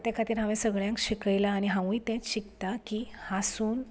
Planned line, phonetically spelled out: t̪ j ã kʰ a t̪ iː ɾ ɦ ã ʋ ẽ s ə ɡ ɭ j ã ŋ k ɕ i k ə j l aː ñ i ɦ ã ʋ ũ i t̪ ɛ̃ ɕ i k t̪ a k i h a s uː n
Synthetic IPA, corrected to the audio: t̪ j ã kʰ a t̪ iː ɾ ɦ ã ʋ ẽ s ə ɡ ɭ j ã ŋ k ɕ i k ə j l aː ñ i ɦ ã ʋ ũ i t̪ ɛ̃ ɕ i k t̪ a k i h a s uː n